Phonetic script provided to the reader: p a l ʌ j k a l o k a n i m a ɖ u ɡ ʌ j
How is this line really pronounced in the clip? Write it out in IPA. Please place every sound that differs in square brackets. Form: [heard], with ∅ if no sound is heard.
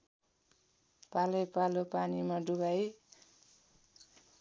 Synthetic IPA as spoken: p a l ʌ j [p] a l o [p] a n i m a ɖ u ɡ [a] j